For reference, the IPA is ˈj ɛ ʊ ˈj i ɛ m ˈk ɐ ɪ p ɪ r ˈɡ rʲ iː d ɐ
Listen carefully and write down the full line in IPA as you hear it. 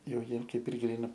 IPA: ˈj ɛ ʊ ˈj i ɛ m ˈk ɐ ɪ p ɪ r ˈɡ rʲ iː n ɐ